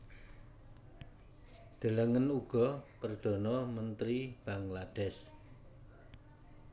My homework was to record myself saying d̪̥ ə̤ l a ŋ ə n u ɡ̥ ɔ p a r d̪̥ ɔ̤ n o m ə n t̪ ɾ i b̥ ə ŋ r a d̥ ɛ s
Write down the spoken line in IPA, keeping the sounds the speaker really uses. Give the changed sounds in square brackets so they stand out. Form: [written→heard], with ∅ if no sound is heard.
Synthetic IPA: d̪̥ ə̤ l [a→ə] ŋ ə n u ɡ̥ ɔ p [a→ə] r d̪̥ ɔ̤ n [o→ɔ] m ə n t̪ ɾ i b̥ [ə→a] ŋ [r→l] a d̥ ɛ s